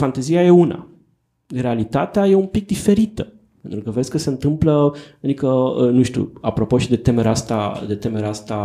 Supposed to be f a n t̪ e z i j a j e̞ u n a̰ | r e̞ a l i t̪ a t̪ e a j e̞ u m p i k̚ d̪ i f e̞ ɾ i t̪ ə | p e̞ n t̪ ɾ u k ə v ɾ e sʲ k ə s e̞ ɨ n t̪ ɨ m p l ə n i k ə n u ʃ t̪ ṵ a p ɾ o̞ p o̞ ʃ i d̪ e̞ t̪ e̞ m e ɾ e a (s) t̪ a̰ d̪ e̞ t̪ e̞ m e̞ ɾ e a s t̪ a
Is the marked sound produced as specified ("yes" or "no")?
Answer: yes